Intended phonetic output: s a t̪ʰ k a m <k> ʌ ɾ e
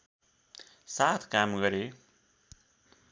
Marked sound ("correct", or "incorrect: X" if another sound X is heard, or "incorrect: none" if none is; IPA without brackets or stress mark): incorrect: ɡ